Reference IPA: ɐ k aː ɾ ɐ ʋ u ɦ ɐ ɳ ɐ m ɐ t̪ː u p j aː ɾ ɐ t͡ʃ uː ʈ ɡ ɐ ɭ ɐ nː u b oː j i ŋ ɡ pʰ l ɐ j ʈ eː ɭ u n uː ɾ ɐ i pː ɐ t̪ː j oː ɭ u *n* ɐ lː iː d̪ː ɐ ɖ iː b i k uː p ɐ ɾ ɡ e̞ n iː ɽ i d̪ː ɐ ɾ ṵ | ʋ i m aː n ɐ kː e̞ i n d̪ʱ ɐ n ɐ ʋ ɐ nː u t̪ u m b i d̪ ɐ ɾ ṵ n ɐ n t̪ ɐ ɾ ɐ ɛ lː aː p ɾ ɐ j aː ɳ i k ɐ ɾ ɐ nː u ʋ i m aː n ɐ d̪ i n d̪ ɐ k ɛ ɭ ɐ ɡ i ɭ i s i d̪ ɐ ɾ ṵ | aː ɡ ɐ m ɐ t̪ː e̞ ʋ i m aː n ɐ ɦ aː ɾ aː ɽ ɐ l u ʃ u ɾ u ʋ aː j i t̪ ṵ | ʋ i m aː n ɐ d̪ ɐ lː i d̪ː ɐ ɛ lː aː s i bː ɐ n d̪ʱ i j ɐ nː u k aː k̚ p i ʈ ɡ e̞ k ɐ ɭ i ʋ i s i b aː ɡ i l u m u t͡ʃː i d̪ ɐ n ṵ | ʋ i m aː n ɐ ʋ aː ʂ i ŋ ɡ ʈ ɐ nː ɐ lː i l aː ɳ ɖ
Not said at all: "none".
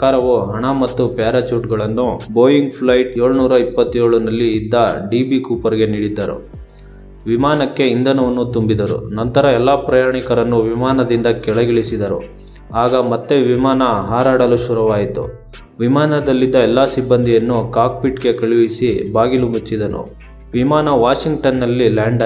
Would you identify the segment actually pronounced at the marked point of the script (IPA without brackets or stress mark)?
n